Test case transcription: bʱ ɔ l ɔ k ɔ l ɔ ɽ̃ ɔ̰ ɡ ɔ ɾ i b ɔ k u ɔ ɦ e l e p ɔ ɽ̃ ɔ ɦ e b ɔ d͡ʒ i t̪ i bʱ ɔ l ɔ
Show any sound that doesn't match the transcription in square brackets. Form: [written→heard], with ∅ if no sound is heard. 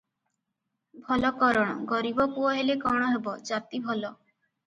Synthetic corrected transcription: bʱ ɔ l ɔ k ɔ [l→ɾ] ɔ ɽ̃ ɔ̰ ɡ ɔ ɾ i b ɔ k u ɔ ɦ e l e [p→k] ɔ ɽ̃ ɔ ɦ e b ɔ d͡ʒ [i→a] t̪ i bʱ ɔ l ɔ